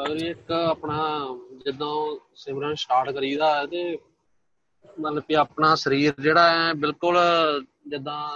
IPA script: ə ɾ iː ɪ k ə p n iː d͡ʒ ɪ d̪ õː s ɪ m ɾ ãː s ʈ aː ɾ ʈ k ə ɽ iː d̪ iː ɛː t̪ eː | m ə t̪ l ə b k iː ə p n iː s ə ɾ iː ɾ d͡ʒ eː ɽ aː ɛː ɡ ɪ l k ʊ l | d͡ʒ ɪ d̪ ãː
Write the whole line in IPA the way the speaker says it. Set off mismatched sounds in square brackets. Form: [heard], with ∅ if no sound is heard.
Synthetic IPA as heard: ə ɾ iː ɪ k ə p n [aː] d͡ʒ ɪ d̪ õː s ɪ m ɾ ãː s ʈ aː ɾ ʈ k ə [ɾ] iː d̪ [aː] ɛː t̪ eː | m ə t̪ l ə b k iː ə p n [aː] s ə ɾ iː ɾ d͡ʒ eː ɽ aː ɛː [b] ɪ l k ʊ l | d͡ʒ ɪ d̪ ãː